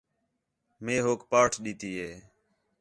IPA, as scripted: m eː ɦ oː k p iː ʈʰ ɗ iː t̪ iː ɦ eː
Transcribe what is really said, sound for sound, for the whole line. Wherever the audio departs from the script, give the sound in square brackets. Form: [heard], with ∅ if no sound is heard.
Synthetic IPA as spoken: m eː ɦ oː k p [aː] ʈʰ ɗ iː t̪ iː ɦ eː

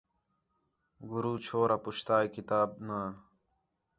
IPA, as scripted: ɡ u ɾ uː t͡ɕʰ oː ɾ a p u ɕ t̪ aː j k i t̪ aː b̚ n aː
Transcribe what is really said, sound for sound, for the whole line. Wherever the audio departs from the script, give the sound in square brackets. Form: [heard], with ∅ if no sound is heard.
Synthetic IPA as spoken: ɡ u ɾ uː t͡ɕʰ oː ɾ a p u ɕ t̪ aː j k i t̪ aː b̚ n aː

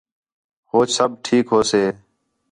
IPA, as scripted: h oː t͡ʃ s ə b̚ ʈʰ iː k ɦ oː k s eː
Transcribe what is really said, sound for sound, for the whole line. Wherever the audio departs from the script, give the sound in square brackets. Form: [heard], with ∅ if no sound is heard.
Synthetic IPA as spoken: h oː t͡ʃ s ə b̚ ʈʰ iː k ɦ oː [∅] s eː

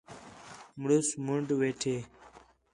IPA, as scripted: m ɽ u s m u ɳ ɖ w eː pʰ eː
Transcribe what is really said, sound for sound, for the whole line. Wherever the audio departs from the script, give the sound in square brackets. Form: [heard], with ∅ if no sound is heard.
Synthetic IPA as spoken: m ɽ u s m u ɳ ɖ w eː [ʈʰ] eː

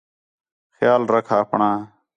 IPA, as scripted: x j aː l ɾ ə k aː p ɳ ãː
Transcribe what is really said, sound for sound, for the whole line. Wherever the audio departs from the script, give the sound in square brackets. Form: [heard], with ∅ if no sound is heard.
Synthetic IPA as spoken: x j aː l ɾ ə [kʰ] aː p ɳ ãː

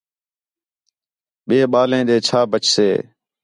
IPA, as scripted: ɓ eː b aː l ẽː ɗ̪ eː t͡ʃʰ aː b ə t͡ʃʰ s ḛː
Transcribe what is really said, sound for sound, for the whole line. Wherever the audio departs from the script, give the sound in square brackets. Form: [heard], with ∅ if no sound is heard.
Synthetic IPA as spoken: ɓ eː [ɓ] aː l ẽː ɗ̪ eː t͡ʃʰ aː b ə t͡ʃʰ s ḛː

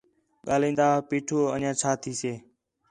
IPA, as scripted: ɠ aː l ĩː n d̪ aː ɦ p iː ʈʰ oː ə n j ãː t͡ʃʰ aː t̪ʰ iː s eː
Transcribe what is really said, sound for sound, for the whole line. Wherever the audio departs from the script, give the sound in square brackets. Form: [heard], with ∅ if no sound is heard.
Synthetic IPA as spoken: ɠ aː l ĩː n d̪ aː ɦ p iː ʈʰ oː ə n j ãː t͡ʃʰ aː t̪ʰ iː s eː

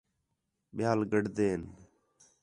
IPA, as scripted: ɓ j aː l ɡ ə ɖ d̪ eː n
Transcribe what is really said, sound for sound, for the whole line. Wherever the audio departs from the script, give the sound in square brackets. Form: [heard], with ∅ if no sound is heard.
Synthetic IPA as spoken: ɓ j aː l ɡ ə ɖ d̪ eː n

